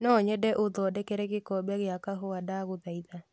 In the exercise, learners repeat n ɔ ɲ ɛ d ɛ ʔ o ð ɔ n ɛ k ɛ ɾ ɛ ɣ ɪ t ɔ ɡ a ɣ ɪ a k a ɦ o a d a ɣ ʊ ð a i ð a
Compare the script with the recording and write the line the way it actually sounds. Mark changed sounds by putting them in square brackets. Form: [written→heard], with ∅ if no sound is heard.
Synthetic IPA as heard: n ɔ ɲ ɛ d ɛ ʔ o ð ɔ [n→d] ɛ k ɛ ɾ ɛ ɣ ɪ [t→k] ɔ [ɡ→b] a ɣ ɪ a k a ɦ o a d a ɣ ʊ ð a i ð a